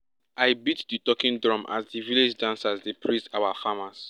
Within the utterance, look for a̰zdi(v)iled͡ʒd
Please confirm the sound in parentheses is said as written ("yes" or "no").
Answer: yes